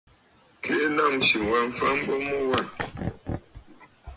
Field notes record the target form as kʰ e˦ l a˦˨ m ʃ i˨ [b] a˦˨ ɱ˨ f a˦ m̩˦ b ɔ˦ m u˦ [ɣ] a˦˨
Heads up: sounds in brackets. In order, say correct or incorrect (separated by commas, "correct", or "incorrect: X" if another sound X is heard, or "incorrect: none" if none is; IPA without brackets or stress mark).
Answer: incorrect: w, incorrect: w